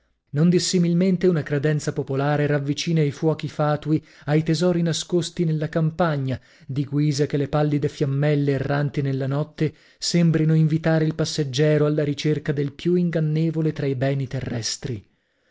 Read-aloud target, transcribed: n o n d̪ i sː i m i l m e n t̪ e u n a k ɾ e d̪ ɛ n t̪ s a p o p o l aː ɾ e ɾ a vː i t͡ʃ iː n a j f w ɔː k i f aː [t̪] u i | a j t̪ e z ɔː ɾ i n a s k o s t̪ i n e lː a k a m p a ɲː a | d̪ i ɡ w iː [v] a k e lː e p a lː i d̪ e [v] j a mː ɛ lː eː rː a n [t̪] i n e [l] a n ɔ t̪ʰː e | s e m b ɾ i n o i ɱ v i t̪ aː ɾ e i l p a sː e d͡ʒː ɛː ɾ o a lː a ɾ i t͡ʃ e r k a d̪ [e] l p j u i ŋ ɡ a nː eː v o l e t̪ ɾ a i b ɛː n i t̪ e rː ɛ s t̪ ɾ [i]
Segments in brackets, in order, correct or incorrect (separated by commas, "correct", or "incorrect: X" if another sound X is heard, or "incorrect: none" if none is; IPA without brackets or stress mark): correct, incorrect: z, incorrect: f, correct, incorrect: lː, correct, correct